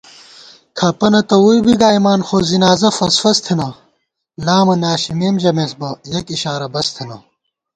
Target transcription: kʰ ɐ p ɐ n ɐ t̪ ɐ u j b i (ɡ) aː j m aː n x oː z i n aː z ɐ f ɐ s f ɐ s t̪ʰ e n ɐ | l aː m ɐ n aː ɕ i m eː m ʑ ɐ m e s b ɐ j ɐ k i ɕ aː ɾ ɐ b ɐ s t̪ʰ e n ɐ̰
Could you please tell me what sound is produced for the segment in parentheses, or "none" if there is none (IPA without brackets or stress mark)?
ɡ